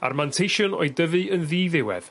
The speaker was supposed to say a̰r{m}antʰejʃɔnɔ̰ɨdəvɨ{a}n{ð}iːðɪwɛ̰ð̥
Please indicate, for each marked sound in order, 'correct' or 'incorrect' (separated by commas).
correct, incorrect, correct